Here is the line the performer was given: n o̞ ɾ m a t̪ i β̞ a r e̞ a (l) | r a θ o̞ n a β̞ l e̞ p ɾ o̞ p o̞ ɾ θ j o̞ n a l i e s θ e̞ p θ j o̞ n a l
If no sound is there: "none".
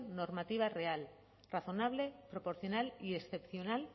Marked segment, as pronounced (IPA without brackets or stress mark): l